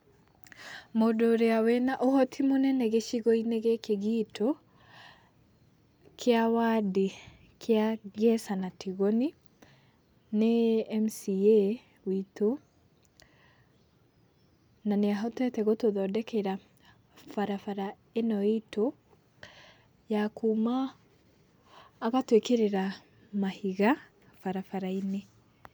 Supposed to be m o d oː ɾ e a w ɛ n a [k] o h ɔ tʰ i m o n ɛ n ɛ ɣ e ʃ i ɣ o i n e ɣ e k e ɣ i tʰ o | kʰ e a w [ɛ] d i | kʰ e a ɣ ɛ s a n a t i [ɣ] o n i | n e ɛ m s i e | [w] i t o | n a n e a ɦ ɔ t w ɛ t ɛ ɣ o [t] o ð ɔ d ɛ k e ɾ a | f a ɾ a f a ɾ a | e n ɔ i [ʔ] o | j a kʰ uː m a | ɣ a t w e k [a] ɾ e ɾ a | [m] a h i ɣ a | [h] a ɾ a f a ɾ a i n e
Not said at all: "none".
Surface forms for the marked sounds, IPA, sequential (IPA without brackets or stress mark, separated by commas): ʔ, a, ɣ, w, t, t, e, m, f